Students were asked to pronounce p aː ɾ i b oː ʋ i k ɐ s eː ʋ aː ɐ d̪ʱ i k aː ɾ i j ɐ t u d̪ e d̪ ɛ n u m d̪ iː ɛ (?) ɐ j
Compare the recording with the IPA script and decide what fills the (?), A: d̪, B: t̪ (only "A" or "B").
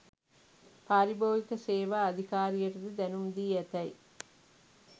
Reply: B